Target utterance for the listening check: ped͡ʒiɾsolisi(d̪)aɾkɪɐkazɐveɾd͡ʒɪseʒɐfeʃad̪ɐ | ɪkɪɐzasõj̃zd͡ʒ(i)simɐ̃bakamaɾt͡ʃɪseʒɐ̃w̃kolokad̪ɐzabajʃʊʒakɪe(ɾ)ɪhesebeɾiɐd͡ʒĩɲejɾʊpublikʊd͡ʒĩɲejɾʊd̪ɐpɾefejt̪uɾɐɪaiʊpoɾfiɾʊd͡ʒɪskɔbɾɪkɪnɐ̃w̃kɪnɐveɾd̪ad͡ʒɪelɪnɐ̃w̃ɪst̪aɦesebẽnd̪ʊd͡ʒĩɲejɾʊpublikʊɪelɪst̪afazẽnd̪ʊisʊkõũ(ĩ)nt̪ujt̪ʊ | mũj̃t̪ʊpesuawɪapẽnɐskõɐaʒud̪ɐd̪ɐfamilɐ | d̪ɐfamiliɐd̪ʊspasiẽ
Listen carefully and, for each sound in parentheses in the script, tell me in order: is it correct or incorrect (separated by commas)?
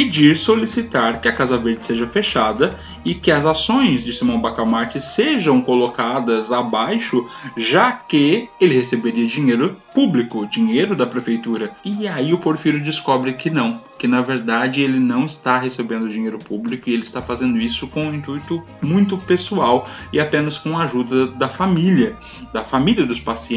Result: incorrect, incorrect, incorrect, correct